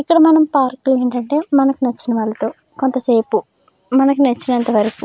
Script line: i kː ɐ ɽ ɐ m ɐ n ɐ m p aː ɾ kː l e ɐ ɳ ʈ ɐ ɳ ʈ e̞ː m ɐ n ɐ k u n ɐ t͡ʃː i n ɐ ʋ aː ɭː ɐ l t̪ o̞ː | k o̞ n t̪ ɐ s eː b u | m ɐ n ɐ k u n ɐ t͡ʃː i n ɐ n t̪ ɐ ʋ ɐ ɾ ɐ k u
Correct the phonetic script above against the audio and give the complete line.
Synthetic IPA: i kː ɐ ɽ ɐ m ɐ n ɐ m p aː ɾ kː l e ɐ ɳ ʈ ɐ ɳ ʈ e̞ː m ɐ n ɐ k u n ɐ t͡ʃː i n ɐ ʋ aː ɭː ɐ t̪ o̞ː | k o̞ n t̪ ɐ s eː p u | m ɐ n ɐ k u n ɐ t͡ʃː i n ɐ n t̪ ɐ ʋ ɐ ɾ ɐ k u